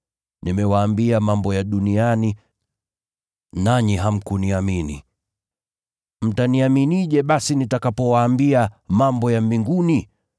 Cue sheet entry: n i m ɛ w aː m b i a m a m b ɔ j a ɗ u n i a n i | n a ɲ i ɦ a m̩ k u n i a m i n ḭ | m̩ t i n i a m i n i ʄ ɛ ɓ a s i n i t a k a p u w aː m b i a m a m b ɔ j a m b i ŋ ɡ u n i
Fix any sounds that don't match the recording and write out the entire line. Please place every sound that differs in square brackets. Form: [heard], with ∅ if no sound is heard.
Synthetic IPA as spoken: n i m ɛ w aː m b i a m a m b ɔ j a ɗ u n i a n i | n a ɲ i ɦ a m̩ k u n i a m i n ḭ | m̩ t [a] n i a m i n i ʄ ɛ ɓ a s i n i t a k a p [ɔ] w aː m b i a m a m b ɔ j a m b i ŋ ɡ u n i